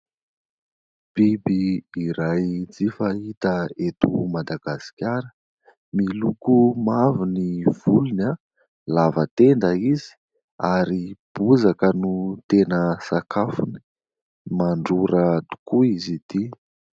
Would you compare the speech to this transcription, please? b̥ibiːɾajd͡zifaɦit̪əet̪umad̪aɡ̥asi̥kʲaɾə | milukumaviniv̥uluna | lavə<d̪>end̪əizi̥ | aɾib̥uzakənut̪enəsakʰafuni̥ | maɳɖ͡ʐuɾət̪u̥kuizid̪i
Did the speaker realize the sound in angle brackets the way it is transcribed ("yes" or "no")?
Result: no